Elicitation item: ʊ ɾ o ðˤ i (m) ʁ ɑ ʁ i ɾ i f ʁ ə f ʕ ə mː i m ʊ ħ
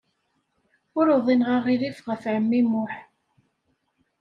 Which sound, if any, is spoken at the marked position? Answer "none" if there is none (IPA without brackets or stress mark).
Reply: n